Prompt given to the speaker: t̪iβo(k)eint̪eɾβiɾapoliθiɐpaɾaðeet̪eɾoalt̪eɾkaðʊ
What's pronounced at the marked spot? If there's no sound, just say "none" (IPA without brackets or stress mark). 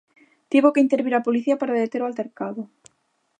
k